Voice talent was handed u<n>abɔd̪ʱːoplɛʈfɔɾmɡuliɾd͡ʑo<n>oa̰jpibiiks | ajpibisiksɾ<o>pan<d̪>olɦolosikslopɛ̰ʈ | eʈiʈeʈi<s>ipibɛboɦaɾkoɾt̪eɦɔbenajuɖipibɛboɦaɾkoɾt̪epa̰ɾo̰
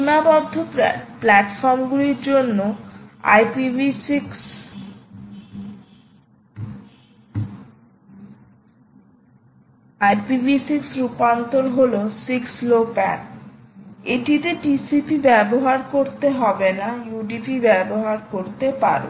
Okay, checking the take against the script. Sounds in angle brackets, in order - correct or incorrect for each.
correct, incorrect, incorrect, incorrect, correct

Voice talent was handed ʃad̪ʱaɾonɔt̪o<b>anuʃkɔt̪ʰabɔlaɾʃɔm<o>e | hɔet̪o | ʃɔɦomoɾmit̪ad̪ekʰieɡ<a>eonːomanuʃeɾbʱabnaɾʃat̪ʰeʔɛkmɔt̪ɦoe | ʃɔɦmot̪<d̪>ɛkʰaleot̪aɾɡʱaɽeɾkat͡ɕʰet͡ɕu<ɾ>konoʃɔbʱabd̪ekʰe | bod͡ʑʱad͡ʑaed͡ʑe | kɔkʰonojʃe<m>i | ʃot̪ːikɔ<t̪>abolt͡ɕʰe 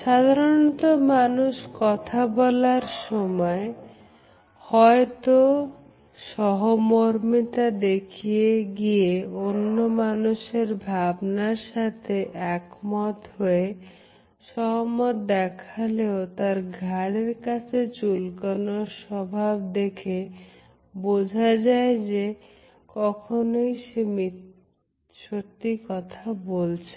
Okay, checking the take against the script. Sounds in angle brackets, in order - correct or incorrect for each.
incorrect, incorrect, incorrect, correct, incorrect, correct, incorrect

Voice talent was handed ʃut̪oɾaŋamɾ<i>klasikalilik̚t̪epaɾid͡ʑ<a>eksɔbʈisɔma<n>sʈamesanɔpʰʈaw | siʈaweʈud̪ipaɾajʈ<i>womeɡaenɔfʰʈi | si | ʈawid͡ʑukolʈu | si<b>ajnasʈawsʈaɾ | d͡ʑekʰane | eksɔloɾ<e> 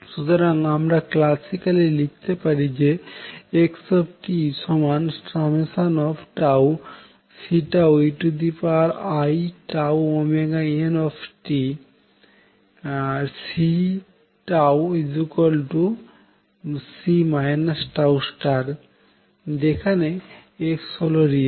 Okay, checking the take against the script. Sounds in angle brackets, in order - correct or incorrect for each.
incorrect, incorrect, correct, incorrect, incorrect, incorrect

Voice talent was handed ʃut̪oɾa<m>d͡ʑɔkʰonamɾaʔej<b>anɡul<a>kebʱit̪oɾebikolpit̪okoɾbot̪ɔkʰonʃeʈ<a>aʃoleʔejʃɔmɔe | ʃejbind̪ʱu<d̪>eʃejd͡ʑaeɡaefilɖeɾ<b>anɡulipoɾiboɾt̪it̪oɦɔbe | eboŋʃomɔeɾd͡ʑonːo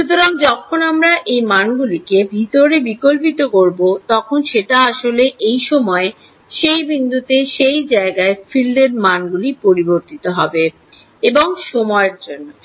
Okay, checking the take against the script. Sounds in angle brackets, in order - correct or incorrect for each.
incorrect, incorrect, incorrect, correct, incorrect, incorrect

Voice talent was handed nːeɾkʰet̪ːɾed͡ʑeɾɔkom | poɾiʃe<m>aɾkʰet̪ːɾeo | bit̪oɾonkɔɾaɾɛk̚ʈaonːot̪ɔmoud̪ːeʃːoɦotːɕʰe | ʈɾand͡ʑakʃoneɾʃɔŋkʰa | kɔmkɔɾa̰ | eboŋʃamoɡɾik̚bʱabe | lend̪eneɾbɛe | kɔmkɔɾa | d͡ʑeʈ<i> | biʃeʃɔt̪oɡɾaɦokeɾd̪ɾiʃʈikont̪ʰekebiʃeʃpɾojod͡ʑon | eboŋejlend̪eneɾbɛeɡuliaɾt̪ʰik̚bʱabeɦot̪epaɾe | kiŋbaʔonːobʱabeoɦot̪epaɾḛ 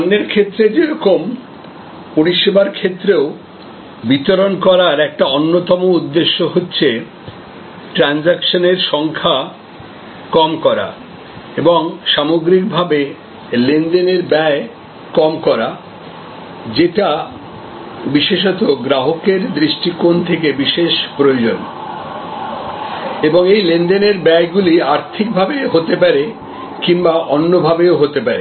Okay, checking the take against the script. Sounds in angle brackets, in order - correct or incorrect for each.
incorrect, incorrect

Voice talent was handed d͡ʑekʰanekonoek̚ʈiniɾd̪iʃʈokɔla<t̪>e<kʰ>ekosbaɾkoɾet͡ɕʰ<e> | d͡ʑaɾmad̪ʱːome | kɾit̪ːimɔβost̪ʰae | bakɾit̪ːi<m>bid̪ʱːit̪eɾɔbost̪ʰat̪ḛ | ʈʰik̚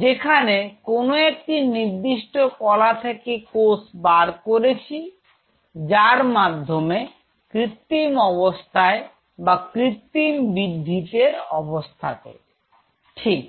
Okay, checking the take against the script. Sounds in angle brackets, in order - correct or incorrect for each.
incorrect, incorrect, incorrect, correct

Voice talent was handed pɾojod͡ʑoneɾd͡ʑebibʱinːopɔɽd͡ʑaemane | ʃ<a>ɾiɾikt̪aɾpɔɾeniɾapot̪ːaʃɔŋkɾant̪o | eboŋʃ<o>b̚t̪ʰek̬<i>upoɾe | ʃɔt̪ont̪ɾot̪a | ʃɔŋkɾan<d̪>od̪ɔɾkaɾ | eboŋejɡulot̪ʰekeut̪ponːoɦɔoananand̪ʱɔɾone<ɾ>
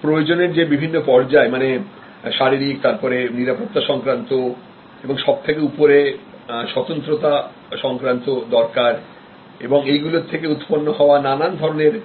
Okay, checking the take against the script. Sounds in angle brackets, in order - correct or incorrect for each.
correct, incorrect, incorrect, incorrect, correct

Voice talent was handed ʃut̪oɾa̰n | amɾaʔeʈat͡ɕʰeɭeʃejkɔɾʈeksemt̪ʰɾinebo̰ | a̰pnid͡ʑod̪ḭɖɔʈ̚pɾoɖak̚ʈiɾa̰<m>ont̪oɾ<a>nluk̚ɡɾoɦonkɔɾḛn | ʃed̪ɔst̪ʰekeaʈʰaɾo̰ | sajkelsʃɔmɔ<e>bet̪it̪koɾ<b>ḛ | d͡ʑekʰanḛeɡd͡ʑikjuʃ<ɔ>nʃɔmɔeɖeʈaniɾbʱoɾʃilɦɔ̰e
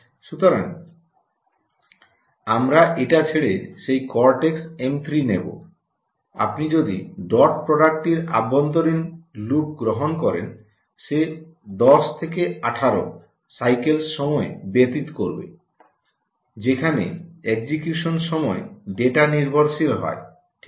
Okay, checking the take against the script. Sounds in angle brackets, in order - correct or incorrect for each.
incorrect, incorrect, correct, correct, incorrect

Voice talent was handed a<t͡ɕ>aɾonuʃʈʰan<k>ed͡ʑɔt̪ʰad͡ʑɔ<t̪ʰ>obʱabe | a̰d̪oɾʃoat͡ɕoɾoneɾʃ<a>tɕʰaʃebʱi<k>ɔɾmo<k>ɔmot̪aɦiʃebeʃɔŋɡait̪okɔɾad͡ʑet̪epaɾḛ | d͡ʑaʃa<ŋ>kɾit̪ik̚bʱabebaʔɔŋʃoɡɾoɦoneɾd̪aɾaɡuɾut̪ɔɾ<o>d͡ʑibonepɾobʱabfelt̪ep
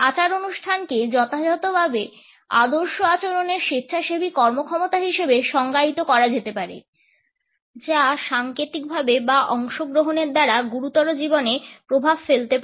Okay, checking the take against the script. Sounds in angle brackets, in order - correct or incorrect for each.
correct, correct, incorrect, incorrect, correct, incorrect, correct, correct

